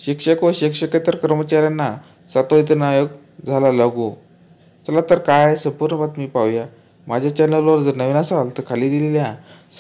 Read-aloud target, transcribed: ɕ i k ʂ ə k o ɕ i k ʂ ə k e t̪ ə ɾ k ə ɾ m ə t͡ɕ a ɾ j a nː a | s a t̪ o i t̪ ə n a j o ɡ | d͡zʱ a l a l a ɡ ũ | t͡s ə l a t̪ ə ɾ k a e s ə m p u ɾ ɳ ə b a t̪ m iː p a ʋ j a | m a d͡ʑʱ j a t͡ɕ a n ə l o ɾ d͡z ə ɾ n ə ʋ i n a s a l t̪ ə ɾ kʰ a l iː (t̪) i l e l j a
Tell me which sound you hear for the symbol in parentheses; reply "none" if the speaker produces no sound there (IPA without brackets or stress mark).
d̪